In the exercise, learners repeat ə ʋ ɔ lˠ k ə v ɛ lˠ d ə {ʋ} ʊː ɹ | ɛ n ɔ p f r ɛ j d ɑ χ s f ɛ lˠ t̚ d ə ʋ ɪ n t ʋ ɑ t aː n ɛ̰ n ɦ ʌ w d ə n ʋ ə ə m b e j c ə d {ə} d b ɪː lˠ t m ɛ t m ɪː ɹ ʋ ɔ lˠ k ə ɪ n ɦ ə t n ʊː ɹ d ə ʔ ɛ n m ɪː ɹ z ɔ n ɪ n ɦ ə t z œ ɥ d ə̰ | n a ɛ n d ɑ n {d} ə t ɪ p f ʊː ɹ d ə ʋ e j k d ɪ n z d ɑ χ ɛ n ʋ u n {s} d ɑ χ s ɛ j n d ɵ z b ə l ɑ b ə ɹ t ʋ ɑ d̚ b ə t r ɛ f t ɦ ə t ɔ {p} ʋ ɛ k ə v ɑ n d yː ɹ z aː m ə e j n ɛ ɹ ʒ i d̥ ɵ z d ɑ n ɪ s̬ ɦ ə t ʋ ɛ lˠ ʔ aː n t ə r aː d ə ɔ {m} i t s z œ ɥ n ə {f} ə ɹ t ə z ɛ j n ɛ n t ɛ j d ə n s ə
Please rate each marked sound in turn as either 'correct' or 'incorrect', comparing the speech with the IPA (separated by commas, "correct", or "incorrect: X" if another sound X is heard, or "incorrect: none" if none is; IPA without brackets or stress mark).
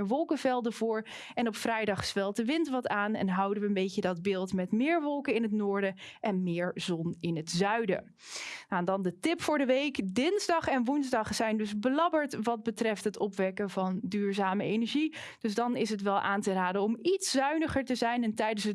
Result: incorrect: v, incorrect: ɑ, correct, incorrect: z, correct, correct, incorrect: χ